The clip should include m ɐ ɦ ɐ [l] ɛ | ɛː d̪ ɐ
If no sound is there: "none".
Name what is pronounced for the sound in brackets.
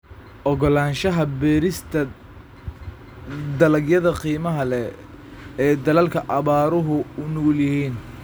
l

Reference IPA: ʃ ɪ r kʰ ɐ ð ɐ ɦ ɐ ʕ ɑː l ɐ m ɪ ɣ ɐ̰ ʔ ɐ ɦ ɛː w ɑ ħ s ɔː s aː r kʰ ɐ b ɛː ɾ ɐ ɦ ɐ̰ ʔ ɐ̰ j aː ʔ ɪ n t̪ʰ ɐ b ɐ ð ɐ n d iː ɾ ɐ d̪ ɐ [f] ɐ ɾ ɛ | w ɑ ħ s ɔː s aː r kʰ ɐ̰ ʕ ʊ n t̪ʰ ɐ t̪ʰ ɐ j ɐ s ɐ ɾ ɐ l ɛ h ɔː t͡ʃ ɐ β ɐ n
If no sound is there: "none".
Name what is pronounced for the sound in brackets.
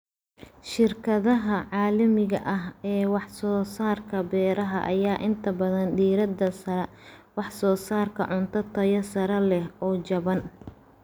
s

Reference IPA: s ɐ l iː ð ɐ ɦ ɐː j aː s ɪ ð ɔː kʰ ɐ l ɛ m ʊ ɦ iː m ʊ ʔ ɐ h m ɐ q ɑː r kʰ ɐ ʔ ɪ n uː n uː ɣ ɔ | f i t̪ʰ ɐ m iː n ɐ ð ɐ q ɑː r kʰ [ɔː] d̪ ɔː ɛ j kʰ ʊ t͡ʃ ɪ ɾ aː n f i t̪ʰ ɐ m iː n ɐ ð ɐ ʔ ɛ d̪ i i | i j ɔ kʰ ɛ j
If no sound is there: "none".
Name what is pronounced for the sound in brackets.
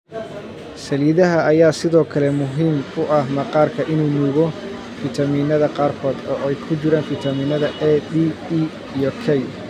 ɔː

